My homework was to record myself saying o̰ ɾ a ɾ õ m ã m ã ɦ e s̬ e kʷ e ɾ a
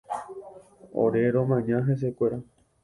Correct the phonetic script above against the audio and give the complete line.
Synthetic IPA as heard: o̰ ɾ e ɾ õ m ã ɲ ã ɦ e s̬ e kʷ e ɾ a